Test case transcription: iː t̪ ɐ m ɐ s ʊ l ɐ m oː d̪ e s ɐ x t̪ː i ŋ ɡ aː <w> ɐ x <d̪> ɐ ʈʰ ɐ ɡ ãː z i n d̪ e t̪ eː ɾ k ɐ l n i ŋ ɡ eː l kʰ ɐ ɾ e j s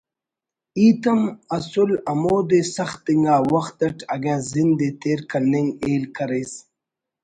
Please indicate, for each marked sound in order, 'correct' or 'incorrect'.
correct, incorrect: t̪

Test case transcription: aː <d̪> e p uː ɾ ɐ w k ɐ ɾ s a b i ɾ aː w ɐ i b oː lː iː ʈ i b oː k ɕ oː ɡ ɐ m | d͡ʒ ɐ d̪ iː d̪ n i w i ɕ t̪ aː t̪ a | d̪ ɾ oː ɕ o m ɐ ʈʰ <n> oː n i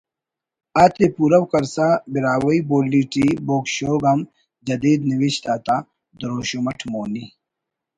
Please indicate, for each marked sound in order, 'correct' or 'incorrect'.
incorrect: t̪, incorrect: m

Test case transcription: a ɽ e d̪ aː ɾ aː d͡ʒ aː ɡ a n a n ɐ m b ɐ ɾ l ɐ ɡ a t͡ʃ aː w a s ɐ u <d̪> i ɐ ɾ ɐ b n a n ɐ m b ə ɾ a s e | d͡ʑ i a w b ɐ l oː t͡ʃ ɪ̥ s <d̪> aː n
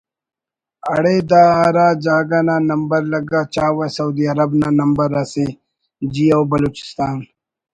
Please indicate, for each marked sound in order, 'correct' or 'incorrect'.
correct, incorrect: t̪

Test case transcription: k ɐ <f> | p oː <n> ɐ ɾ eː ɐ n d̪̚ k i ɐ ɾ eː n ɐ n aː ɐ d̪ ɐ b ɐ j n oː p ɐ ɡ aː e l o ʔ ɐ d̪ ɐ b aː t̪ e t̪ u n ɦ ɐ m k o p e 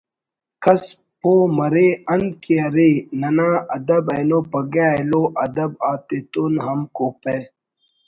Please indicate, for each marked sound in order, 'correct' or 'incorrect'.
incorrect: s, incorrect: m

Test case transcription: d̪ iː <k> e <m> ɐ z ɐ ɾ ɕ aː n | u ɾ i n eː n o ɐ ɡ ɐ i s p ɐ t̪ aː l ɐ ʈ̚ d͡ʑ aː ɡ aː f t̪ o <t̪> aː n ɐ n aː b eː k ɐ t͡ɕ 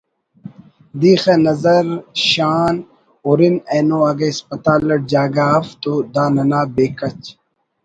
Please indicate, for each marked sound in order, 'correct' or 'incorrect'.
incorrect: x, incorrect: n, incorrect: d̪

